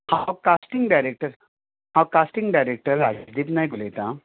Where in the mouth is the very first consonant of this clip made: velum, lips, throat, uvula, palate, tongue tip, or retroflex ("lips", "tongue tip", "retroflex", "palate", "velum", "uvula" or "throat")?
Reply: throat